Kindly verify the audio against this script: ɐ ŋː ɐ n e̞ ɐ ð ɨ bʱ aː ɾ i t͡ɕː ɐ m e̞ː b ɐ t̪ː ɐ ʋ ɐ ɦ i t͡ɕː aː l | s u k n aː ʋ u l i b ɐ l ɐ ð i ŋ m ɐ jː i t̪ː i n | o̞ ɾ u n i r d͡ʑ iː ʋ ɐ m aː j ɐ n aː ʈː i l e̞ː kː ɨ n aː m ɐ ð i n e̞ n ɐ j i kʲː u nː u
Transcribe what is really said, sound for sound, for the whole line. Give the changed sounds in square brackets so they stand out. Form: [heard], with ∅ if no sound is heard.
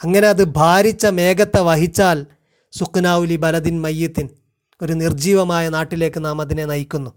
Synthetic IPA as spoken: ɐ ŋː ɐ n e̞ ɐ ð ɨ bʱ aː ɾ i t͡ɕː ɐ m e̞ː [ɡ] ɐ t̪ː ɐ ʋ ɐ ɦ i t͡ɕː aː l | s u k n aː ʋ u l i b ɐ l ɐ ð i [n] m ɐ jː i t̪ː i n | o̞ ɾ u n i r d͡ʑ iː ʋ ɐ m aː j ɐ n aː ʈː i l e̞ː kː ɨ n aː m ɐ ð i n e̞ n ɐ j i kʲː u nː u